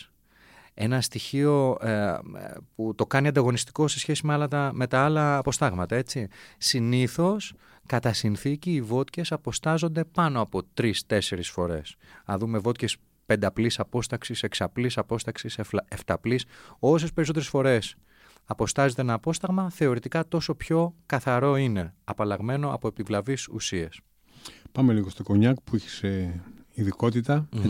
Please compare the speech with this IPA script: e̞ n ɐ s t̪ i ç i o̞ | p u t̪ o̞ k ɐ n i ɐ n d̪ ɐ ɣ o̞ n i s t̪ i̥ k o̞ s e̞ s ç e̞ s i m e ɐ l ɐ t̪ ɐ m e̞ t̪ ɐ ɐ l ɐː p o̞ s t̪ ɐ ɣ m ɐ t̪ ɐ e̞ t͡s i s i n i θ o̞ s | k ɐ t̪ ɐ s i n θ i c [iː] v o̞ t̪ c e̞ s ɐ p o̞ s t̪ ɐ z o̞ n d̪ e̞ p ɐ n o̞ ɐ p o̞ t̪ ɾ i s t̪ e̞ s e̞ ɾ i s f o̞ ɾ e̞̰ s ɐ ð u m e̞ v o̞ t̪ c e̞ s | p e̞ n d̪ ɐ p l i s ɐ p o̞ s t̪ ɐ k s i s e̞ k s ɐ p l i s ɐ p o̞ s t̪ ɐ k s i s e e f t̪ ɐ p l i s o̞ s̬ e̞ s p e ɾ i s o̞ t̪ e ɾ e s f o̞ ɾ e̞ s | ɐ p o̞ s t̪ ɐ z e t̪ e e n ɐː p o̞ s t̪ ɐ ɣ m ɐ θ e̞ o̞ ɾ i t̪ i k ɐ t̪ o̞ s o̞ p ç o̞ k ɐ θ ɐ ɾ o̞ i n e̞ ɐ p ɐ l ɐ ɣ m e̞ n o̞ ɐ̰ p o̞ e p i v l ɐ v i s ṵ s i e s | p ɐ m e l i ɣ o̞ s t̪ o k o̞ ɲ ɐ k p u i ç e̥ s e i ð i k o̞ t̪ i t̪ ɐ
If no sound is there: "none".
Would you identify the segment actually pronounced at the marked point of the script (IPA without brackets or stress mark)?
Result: iː